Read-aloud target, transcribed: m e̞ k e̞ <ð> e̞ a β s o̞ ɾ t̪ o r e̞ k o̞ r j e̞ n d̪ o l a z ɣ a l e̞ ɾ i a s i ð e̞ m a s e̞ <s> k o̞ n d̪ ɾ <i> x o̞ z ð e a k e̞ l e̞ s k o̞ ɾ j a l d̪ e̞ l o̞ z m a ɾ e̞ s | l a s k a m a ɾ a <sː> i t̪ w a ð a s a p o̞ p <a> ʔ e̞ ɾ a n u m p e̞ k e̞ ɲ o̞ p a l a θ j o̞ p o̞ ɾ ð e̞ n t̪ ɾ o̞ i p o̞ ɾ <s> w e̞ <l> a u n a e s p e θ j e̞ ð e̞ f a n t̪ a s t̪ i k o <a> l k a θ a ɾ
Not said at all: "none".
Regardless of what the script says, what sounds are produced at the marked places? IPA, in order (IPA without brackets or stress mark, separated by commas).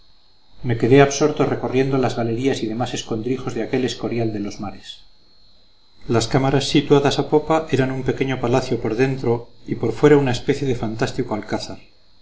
ð, s, i, sː, a, f, ɾ, a